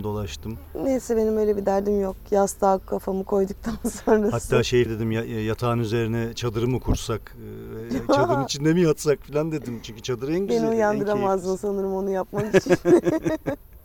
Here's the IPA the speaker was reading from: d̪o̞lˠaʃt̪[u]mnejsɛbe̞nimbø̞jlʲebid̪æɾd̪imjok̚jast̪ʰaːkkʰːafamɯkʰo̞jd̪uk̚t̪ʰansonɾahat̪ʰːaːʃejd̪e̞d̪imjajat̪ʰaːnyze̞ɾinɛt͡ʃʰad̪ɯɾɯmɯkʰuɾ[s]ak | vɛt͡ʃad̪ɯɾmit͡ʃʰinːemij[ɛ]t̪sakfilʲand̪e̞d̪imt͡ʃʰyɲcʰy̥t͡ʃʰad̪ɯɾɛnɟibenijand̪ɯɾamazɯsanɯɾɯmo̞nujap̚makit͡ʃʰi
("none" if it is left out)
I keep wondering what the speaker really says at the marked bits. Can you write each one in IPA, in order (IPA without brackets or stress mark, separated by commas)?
ɯ, s, a